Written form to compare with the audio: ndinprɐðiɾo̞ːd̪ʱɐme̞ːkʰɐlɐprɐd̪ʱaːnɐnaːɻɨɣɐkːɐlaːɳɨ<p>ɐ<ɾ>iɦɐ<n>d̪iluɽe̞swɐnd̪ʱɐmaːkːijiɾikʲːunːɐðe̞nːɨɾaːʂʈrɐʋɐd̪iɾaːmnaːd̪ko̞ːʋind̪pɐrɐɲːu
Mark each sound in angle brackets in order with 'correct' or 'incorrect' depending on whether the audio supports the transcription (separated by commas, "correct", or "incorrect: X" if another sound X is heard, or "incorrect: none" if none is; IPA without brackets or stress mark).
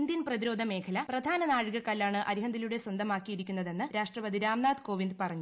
incorrect: ʔ, correct, correct